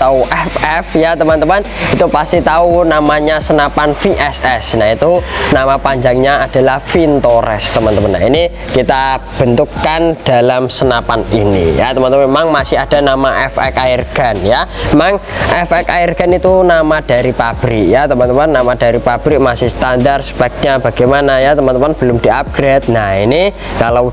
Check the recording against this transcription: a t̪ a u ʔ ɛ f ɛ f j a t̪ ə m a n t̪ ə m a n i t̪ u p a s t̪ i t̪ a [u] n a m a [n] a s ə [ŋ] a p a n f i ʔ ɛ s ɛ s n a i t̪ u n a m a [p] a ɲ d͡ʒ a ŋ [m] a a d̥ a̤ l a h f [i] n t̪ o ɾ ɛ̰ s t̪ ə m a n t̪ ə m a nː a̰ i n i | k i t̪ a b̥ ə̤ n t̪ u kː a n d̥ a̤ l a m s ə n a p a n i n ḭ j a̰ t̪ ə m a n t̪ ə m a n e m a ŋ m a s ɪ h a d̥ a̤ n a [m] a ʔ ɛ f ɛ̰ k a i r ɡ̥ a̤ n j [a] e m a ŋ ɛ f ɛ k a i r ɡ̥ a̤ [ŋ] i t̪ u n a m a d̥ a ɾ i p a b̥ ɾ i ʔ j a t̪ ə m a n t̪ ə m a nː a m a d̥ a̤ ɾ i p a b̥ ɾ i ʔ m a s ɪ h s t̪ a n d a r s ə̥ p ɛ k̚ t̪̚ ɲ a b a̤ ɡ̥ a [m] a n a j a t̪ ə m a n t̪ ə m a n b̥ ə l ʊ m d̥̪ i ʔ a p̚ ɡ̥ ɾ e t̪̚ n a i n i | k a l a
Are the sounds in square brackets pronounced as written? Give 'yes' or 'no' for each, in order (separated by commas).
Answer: yes, no, no, yes, no, yes, yes, yes, no, yes